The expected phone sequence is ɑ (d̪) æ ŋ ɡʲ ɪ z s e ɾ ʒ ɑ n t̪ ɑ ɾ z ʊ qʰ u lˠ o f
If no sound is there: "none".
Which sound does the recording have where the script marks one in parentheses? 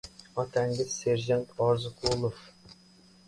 t̪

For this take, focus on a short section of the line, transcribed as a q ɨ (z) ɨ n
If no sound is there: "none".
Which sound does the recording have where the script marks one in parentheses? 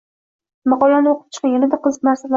z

